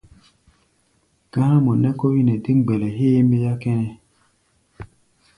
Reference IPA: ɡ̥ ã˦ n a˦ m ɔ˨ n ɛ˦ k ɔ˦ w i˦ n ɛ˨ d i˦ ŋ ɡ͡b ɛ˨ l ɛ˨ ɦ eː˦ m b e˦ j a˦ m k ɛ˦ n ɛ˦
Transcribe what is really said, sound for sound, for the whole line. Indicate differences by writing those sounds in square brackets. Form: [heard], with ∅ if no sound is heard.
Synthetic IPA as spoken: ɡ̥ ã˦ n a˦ m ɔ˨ n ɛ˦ k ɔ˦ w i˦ n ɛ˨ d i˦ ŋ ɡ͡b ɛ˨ l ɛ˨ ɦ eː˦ m b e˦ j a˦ [∅] k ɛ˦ n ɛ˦